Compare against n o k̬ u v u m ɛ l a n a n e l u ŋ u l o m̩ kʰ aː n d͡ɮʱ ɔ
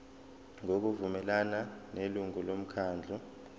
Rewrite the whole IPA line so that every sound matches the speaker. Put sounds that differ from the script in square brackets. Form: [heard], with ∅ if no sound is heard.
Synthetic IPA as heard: [ŋ] o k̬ u v u m ɛ l a n a n e l u ŋ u l o m̩ kʰ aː n d͡ɮʱ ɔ

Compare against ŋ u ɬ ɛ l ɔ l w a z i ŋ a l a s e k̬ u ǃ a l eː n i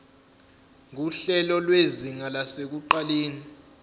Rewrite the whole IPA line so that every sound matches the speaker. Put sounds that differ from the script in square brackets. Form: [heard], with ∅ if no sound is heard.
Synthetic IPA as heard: ŋ u ɬ ɛ l ɔ l w [e] z i ŋ a l a s e k̬ u ǃ a l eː n i

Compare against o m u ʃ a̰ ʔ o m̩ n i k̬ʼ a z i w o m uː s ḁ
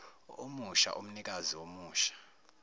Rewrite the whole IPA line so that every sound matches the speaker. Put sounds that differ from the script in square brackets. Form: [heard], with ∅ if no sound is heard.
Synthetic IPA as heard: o m u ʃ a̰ ʔ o m̩ n i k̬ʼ a z i w o m uː [ʃ] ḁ

